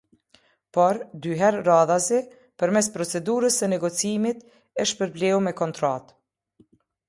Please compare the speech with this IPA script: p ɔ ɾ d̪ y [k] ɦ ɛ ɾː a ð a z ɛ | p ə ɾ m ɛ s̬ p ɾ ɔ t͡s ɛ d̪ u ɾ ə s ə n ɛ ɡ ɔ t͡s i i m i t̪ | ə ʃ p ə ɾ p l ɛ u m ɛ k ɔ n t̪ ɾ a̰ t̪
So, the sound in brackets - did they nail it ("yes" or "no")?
no